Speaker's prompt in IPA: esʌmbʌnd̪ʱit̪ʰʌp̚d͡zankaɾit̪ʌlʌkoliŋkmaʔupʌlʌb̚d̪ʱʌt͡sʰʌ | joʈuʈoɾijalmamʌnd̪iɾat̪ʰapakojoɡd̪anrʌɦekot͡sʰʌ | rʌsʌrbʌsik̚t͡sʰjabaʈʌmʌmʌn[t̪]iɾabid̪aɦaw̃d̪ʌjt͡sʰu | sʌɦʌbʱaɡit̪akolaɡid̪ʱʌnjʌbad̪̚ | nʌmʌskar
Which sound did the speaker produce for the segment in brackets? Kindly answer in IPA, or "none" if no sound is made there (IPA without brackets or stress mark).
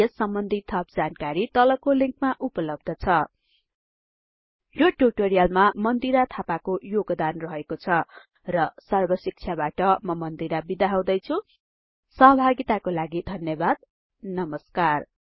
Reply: d̪